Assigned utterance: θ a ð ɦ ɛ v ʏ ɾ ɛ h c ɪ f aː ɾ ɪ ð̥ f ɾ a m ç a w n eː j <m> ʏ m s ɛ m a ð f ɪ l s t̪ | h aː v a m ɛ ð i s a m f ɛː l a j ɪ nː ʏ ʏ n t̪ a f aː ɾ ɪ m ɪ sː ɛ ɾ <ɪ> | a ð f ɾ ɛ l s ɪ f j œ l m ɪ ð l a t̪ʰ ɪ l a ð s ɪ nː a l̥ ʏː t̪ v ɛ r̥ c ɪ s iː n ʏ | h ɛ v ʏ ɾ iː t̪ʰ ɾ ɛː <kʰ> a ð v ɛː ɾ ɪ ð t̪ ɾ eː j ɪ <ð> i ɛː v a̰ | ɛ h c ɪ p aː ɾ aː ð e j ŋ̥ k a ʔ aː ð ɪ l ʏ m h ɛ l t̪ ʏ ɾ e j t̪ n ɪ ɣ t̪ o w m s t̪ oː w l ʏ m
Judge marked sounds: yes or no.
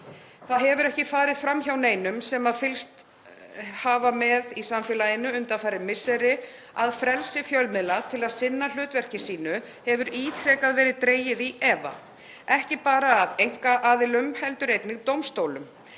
no, yes, no, yes

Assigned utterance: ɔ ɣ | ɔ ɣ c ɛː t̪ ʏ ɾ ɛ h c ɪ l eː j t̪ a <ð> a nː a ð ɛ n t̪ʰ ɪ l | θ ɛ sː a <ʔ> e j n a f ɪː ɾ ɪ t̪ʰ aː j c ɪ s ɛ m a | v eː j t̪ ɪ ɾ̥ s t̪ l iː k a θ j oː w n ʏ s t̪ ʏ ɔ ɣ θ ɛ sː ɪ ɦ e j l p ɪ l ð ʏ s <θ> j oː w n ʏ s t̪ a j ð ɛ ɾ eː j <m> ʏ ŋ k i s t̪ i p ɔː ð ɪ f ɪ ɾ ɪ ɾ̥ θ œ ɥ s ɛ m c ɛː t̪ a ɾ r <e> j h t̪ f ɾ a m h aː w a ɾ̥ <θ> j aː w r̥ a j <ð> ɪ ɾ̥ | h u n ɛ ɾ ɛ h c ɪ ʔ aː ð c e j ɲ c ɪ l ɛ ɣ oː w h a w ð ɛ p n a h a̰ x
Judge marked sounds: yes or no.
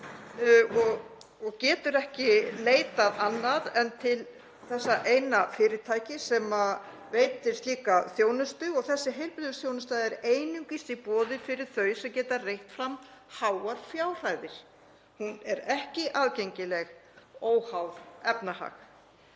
yes, yes, yes, no, yes, no, yes

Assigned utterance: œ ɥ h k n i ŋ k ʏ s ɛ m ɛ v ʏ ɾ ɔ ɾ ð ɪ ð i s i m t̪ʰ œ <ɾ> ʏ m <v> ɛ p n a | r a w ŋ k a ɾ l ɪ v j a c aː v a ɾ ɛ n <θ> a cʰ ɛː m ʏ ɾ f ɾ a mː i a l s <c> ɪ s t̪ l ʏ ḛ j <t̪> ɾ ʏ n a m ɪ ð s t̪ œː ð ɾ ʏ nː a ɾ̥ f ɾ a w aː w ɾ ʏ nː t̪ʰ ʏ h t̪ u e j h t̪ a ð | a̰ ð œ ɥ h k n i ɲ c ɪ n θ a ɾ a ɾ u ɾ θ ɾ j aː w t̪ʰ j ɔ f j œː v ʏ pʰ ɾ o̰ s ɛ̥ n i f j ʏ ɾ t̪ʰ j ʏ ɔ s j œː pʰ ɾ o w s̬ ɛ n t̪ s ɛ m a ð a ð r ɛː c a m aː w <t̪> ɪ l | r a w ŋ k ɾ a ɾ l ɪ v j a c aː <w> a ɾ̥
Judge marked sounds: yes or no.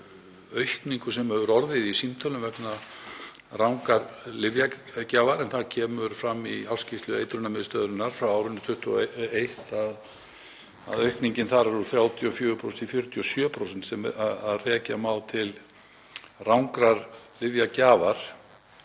no, yes, yes, yes, yes, no, no

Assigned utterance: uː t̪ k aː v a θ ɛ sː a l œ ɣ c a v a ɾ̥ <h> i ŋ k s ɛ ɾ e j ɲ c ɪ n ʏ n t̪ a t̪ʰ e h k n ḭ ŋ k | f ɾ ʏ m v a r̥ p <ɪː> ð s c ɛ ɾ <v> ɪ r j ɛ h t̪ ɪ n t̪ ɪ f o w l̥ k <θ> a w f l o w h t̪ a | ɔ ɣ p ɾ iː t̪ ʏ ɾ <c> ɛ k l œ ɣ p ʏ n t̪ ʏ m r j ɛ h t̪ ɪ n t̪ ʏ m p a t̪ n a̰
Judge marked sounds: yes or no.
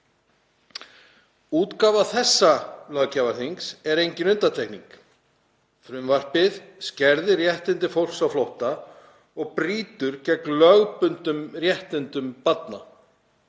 no, no, no, no, yes

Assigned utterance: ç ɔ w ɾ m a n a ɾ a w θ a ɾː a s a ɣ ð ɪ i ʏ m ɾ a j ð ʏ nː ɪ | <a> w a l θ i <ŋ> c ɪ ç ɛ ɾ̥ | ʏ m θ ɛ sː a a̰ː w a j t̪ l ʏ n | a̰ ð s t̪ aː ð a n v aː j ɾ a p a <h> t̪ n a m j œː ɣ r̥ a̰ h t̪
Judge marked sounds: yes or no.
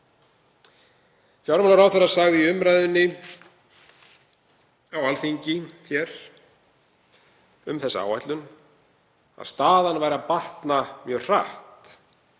yes, no, yes

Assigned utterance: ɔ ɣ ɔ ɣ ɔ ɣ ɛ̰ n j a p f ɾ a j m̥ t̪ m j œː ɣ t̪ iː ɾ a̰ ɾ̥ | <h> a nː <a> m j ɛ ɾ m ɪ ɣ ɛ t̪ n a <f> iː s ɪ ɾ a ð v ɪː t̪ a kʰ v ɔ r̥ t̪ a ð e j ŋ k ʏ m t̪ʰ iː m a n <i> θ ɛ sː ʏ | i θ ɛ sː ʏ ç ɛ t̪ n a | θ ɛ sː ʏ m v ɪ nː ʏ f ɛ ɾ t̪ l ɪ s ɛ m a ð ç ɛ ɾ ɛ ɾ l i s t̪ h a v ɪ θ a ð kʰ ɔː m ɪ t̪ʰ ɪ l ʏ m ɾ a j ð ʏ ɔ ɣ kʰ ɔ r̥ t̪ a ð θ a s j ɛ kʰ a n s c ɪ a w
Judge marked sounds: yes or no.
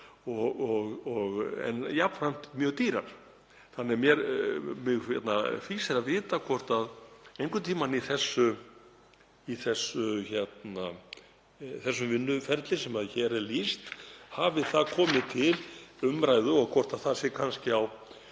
no, no, yes, yes

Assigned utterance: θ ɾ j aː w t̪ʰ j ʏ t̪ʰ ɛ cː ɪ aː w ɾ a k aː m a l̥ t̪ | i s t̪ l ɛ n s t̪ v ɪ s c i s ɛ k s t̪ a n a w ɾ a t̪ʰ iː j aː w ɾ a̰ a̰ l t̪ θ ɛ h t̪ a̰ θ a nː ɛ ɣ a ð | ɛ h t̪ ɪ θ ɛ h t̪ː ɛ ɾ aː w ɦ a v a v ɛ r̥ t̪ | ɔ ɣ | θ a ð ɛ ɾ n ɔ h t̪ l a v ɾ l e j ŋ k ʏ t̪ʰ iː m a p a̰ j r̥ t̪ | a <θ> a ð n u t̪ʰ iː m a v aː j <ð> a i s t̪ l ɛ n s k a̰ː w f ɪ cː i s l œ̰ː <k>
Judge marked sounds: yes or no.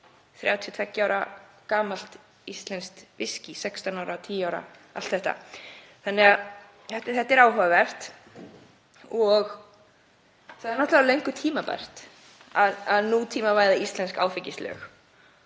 no, yes, no

